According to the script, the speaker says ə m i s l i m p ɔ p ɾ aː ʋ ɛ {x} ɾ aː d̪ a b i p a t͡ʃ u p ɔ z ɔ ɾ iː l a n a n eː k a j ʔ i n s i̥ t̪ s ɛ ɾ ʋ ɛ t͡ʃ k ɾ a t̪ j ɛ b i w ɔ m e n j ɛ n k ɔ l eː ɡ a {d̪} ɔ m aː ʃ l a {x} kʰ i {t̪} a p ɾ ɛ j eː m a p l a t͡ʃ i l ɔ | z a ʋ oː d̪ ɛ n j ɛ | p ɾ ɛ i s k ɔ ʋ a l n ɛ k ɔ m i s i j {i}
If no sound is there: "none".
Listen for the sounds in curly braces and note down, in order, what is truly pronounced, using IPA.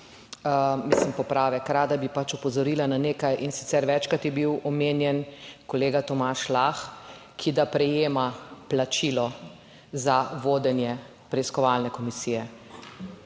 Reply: k, t̪, x, d̪, ɛ

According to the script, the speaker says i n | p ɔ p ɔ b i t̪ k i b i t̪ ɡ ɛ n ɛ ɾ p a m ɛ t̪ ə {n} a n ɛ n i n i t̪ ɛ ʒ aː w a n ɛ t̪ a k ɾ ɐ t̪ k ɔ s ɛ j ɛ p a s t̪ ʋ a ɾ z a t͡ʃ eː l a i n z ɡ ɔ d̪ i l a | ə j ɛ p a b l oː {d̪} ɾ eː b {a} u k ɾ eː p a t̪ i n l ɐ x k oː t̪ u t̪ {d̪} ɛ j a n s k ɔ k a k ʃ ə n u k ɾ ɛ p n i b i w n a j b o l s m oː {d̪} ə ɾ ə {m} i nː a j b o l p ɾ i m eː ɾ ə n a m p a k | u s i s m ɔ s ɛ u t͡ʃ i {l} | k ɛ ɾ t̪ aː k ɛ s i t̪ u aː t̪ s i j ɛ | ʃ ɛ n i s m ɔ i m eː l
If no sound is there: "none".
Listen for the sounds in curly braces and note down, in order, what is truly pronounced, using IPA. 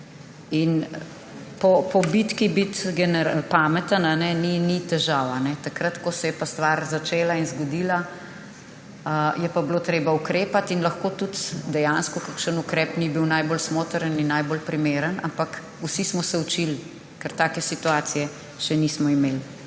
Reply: n, t̪, a, d̪, t̪, n, l

